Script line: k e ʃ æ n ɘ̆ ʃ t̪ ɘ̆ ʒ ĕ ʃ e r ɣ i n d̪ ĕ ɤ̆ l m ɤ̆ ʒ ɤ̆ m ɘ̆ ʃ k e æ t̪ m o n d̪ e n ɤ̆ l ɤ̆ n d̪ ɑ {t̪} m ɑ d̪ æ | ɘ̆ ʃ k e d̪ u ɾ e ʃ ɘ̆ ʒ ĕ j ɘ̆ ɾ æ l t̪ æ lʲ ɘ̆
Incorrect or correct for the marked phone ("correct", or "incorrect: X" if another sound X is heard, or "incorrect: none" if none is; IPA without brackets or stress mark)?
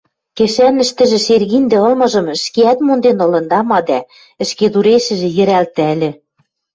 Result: incorrect: none